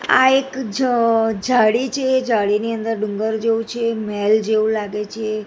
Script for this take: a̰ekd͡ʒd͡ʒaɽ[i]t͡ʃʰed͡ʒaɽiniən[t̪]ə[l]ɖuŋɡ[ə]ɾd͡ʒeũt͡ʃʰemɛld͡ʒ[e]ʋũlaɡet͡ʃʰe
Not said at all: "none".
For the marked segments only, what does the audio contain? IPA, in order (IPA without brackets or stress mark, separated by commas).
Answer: i, d̪, ɾ, ə, e